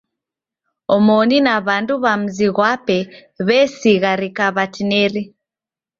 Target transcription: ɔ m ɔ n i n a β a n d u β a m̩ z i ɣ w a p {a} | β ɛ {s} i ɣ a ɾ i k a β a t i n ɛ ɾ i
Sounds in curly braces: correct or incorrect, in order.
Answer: incorrect: ɛ, correct

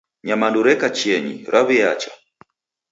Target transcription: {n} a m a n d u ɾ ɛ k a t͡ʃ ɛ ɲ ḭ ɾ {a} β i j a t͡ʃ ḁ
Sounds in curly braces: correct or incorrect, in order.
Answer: incorrect: ɲ, correct

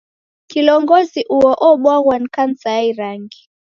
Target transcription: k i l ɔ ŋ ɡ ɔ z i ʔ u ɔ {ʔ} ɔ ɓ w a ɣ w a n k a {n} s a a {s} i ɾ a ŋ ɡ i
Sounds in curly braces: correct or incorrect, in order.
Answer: correct, correct, incorrect: none

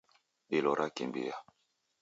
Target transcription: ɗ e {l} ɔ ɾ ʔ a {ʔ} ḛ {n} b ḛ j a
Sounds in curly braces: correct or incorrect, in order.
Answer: correct, incorrect: k, incorrect: m

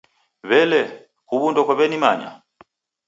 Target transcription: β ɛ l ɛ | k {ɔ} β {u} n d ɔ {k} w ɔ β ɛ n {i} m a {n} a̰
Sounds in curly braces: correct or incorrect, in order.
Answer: incorrect: u, correct, correct, correct, incorrect: ɲ

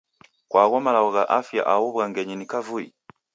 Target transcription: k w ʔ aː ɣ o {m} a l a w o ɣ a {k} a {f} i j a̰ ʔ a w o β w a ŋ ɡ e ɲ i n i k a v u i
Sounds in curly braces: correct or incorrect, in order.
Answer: correct, incorrect: ʔ, correct

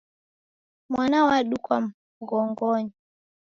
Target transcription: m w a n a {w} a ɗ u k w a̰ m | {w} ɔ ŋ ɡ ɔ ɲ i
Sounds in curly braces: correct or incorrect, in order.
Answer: correct, incorrect: ɣ

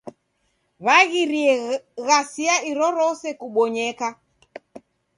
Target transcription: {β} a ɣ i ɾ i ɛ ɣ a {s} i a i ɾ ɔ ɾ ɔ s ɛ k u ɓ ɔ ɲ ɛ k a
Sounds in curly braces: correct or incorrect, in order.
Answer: correct, correct

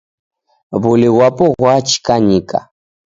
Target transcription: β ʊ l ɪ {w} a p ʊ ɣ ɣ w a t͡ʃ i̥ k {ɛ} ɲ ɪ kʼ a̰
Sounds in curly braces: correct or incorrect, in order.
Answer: correct, incorrect: a

